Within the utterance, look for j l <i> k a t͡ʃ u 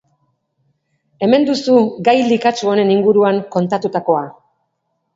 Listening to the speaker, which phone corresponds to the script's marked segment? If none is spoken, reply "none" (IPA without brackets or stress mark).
i